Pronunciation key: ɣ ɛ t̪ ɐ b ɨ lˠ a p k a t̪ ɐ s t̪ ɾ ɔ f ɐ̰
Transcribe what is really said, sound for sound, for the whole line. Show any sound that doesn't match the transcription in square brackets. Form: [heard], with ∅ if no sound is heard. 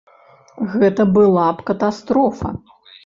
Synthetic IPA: ɣ ɛ t̪ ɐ b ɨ lˠ a p k [ɐ] t̪ [a] s t̪ ɾ ɔ f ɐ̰